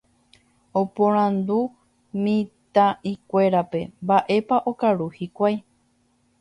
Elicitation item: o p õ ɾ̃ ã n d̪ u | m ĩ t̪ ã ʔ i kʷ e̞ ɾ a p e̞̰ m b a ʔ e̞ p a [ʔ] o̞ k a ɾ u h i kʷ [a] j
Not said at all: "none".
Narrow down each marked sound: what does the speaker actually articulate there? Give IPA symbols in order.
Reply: ʔ, a

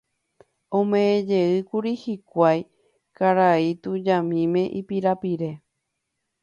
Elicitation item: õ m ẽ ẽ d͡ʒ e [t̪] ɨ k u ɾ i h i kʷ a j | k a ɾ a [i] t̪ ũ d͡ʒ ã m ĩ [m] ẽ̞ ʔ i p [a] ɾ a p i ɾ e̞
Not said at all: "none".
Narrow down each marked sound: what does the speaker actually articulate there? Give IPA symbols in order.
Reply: none, i, m, i

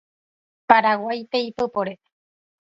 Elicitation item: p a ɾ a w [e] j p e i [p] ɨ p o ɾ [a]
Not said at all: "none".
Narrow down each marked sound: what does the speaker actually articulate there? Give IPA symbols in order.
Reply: a, p, e

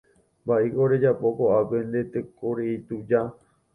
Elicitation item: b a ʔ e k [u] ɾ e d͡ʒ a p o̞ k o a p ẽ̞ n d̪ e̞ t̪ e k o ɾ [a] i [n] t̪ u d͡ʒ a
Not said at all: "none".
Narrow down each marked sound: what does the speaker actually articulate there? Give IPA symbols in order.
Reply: o, e, none

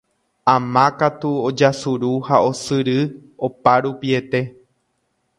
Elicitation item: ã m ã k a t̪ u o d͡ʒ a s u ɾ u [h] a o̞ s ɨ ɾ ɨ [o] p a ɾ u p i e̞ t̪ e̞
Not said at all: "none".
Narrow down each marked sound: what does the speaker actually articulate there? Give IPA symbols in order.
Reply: h, o

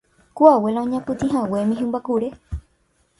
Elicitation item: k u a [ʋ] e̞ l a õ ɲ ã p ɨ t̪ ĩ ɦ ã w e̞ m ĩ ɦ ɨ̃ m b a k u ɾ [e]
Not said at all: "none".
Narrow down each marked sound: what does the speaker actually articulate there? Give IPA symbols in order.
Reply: w, e

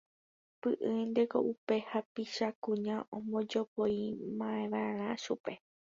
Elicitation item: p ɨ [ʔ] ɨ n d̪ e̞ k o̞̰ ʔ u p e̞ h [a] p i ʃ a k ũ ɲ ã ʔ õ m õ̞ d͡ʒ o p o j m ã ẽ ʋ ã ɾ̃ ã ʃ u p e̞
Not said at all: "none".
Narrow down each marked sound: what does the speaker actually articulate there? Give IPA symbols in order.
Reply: ʔ, a

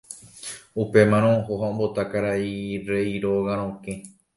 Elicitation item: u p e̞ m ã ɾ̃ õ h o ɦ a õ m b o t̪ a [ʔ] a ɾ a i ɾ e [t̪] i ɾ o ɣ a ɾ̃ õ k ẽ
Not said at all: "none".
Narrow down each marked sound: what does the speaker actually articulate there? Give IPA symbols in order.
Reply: k, none

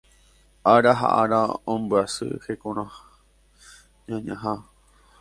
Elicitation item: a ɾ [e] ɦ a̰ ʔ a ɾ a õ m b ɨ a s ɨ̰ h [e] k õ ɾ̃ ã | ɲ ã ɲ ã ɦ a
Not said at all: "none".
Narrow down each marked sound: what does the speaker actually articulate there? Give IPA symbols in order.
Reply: a, e

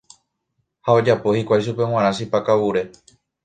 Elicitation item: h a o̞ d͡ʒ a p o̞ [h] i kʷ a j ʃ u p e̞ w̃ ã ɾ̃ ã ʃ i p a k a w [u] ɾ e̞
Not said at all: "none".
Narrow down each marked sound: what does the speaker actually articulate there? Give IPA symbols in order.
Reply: h, u

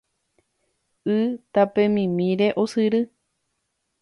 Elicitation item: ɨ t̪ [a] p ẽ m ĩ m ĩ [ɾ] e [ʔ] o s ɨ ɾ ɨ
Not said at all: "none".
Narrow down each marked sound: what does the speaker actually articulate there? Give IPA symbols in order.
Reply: a, ɾ, ʔ

